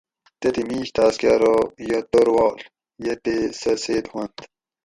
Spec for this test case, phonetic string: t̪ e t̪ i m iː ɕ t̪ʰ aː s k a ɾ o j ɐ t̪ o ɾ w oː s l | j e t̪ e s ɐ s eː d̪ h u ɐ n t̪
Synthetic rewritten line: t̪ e t̪ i m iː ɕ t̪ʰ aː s k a ɾ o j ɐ t̪ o ɾ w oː l | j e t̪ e s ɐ s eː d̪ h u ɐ n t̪